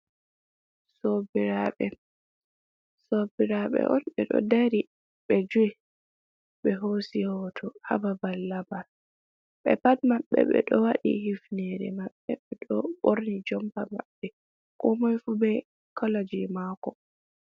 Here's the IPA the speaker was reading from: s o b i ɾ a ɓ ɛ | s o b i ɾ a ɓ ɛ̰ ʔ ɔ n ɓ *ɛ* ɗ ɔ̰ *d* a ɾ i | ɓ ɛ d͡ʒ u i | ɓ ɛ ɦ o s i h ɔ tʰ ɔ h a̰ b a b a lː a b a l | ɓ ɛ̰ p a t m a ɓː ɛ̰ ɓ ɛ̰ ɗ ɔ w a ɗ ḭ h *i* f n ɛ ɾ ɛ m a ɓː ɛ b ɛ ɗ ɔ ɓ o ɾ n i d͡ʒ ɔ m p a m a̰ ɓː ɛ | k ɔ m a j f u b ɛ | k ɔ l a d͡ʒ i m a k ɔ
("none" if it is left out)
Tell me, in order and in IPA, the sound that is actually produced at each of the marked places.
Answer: ɛ, d, i

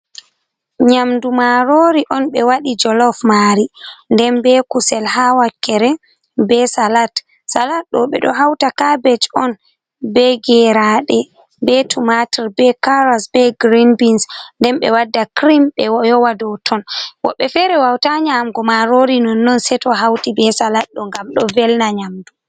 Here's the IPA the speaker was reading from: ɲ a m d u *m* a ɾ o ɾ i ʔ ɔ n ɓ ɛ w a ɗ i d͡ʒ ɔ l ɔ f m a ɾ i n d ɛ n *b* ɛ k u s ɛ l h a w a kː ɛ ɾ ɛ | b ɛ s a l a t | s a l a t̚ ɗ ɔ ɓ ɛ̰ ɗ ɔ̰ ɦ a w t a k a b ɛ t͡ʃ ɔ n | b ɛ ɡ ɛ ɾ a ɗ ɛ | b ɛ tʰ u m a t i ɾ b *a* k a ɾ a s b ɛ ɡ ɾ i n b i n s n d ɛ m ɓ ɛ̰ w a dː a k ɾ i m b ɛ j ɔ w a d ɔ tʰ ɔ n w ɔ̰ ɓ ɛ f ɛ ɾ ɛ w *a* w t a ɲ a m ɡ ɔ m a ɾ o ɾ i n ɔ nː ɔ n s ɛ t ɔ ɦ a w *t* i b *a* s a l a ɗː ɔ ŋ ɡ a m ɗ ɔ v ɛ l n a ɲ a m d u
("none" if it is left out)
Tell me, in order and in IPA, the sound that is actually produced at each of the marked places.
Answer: m, b, ɛ, a, t, ɛ

